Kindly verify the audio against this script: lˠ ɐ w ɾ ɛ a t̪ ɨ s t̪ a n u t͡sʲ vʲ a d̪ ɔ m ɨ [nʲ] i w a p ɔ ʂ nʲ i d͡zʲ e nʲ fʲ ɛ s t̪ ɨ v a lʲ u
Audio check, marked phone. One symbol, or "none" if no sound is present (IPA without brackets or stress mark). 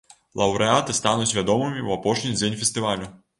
mʲ